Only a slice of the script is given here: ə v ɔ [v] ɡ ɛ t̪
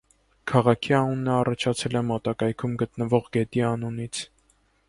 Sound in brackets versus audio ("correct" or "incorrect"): incorrect